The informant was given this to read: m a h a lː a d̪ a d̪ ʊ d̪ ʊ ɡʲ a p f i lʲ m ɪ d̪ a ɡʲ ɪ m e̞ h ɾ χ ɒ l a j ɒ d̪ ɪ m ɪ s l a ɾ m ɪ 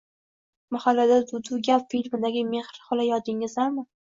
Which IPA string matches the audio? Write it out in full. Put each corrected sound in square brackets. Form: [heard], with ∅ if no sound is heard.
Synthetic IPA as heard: m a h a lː a d̪ a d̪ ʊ d̪ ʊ ɡʲ a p f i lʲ m ɪ d̪ a ɡʲ ɪ m e̞ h ɾ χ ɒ l a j ɒ d̪ ɪ [ŋ] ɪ [z] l a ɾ m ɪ